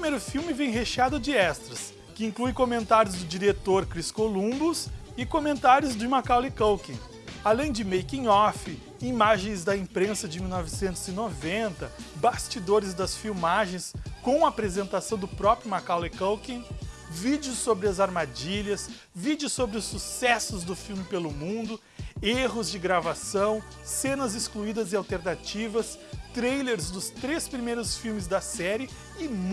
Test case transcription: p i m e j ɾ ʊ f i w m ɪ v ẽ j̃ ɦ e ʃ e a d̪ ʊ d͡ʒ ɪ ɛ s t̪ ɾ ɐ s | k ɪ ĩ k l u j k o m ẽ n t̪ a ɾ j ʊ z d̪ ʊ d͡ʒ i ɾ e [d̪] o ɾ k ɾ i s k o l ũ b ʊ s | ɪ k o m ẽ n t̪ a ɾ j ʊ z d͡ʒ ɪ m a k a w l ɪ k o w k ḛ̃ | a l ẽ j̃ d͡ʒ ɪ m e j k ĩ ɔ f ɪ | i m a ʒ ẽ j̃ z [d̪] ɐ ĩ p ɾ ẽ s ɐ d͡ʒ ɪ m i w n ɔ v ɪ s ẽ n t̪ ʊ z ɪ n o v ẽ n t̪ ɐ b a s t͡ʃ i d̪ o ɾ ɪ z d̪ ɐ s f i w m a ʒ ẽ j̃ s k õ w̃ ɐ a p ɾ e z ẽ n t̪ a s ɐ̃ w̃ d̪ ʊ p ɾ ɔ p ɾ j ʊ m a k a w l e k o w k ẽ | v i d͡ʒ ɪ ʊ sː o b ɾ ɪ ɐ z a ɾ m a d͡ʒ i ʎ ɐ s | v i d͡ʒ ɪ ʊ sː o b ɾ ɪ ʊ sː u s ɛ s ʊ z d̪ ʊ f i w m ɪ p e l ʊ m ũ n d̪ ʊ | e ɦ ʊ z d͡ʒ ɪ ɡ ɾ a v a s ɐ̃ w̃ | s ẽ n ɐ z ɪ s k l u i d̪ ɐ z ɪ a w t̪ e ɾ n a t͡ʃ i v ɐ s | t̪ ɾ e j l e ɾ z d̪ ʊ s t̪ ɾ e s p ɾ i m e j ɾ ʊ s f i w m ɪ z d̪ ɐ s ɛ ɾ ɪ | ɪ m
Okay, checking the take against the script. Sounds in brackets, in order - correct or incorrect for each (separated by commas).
incorrect, correct